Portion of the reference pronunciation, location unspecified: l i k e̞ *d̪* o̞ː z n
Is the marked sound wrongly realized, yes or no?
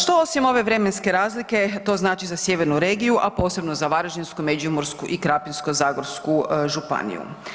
yes